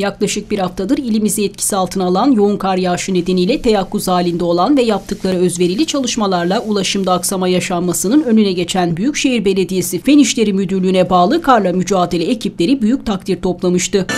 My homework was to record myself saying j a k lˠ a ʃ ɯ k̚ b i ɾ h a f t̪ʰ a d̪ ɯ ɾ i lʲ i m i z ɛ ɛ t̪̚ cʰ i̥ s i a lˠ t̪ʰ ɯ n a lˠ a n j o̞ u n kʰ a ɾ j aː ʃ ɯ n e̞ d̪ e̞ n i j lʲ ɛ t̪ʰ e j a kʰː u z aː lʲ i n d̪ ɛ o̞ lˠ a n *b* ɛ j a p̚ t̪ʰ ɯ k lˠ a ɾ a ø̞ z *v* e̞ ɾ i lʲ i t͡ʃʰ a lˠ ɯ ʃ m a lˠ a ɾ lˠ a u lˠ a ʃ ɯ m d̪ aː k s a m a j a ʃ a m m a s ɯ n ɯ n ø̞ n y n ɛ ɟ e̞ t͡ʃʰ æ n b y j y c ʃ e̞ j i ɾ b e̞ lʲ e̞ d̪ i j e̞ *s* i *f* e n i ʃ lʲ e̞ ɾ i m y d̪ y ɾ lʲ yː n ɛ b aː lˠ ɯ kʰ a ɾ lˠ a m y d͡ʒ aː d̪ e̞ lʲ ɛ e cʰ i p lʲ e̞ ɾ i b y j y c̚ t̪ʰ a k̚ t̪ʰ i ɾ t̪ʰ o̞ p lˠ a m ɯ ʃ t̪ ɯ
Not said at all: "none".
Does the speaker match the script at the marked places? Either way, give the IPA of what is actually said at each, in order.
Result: v, v, s, f

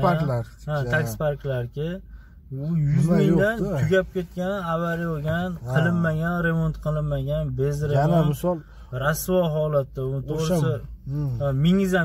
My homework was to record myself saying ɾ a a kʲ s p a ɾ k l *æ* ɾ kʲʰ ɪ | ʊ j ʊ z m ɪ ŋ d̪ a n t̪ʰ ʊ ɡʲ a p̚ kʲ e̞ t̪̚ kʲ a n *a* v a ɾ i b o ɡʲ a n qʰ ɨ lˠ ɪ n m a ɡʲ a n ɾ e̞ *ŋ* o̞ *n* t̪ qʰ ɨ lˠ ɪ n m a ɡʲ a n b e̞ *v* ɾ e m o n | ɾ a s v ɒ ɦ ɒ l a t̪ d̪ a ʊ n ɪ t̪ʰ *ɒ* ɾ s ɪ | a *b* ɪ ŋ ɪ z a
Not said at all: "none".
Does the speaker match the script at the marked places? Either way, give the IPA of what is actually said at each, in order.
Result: a, a, m, n, z, o, m

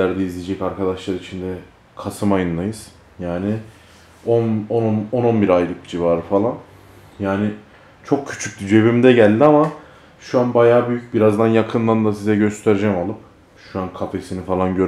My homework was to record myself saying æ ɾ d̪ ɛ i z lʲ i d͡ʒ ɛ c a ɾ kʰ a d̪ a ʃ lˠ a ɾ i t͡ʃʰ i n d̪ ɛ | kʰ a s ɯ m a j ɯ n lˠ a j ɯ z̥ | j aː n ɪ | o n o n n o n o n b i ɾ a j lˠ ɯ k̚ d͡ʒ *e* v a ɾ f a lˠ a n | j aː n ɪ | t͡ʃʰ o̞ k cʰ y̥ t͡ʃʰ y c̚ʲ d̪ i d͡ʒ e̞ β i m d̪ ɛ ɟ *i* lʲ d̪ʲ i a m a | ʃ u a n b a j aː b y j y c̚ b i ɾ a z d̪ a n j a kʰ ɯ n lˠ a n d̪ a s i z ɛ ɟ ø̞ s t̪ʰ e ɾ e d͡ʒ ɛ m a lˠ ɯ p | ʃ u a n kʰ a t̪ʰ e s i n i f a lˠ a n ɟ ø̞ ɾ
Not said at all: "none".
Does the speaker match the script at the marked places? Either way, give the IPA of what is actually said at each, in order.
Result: i, æ

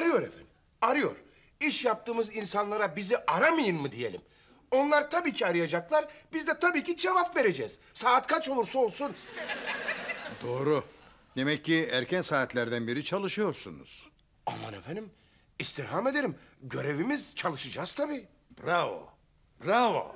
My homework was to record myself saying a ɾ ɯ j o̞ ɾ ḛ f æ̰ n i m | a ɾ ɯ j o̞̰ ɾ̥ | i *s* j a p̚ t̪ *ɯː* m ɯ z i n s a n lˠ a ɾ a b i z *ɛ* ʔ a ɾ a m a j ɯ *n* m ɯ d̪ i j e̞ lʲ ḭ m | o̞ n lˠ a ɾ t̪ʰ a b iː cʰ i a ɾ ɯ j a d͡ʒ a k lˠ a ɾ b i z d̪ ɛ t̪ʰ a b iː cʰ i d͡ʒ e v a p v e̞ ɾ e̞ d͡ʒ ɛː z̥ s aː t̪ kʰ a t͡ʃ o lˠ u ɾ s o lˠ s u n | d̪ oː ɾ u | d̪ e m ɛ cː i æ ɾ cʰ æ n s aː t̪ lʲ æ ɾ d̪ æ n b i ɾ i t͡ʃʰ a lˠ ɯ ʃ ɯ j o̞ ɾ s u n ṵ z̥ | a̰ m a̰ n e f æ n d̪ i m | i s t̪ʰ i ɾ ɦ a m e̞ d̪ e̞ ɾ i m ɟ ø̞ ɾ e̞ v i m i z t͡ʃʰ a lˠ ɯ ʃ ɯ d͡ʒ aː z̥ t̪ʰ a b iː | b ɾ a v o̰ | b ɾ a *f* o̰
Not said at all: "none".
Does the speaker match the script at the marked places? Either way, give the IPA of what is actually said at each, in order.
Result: ʃ, ɯː, i, n, v

